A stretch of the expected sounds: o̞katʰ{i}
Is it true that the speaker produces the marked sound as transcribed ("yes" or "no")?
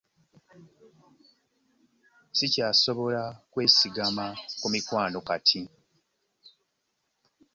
yes